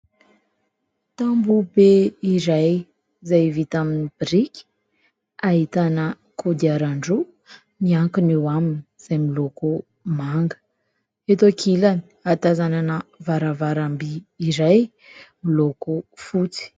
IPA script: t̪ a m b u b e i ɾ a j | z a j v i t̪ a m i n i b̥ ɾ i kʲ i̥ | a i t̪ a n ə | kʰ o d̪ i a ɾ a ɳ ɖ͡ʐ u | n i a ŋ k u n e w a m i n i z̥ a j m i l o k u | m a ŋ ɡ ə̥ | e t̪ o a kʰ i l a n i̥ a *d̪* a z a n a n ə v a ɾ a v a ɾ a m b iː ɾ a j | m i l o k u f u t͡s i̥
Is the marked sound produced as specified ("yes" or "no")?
no